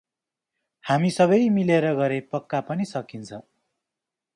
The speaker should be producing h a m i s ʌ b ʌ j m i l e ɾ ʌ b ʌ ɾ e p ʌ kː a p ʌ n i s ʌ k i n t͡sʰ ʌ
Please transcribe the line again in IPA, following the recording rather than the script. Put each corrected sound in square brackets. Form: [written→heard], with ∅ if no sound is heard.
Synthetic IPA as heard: h a m i s ʌ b ʌ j m i l e ɾ ʌ [b→ɡ] ʌ ɾ e p ʌ kː a p ʌ n i s ʌ k i n t͡sʰ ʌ